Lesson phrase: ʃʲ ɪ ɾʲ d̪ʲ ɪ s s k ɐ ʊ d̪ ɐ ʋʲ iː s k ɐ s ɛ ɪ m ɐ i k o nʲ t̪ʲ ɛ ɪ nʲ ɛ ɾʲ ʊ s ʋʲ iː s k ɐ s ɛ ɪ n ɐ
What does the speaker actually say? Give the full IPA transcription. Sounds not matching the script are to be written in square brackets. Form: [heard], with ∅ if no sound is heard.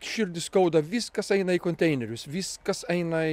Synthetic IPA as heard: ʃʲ ɪ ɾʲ d̪ʲ ɪ s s k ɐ ʊ d̪ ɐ ʋʲ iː s k ɐ s ɛ ɪ [n] ɐ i k o nʲ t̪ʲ ɛ ɪ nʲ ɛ ɾʲ ʊ s ʋʲ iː s k ɐ s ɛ ɪ n ɐ